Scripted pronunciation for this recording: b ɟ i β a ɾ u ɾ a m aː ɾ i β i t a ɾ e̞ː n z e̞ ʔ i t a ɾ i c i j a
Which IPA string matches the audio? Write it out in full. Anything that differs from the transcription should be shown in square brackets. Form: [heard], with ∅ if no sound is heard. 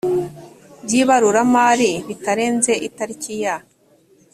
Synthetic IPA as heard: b ɟ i β a ɾ u ɾ a m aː ɾ i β i t a ɾ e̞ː n z e̞ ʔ i t a ɾ i c i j a